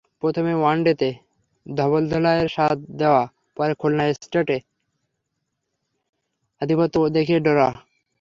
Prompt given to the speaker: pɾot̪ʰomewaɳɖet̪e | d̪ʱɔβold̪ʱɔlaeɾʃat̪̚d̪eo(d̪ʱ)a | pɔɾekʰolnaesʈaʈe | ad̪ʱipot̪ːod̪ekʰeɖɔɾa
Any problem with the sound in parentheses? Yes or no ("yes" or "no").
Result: yes